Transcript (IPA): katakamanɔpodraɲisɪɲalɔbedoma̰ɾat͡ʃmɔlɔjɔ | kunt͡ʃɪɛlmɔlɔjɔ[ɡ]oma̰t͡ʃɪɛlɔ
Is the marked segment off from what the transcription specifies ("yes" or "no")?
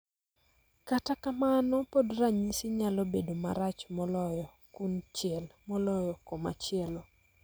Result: yes